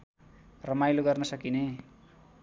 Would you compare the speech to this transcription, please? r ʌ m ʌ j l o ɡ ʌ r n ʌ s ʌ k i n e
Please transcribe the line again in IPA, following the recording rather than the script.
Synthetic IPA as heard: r ʌ m a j l o ɡ ʌ r n ʌ s ʌ k i n e